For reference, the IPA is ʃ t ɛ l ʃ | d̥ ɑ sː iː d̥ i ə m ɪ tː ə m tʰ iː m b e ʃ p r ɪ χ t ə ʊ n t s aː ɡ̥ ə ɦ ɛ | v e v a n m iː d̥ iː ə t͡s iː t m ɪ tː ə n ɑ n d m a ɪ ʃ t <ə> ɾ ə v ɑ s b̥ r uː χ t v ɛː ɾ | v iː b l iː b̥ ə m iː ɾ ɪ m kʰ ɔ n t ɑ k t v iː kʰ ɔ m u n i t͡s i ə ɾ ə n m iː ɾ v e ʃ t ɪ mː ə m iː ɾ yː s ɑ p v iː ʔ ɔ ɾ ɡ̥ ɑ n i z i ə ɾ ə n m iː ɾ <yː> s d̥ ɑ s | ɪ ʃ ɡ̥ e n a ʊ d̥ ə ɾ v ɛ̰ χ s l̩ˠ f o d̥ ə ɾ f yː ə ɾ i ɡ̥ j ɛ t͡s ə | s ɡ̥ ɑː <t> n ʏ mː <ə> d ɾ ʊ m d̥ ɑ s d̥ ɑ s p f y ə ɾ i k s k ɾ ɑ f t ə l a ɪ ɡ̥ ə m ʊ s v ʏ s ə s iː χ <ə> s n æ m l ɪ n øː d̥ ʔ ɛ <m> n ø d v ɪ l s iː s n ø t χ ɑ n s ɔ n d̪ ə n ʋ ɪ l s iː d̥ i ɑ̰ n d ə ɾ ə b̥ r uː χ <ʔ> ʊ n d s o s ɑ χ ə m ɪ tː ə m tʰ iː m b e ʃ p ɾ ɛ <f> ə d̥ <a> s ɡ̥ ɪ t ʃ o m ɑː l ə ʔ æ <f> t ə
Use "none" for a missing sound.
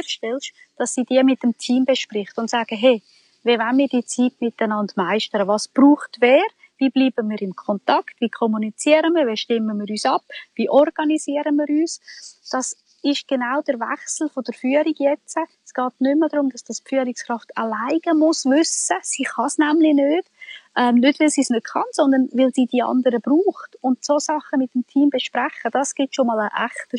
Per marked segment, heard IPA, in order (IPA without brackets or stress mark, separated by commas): ə, yː, t, ə, ɑ, m, t, χ, ɑ, χ